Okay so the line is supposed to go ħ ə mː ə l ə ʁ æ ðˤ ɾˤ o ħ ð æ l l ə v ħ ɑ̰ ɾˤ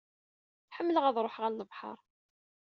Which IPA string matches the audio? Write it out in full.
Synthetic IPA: ħ ə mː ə l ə ʁ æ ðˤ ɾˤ o ħ ʁ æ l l ə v ħ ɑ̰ ɾˤ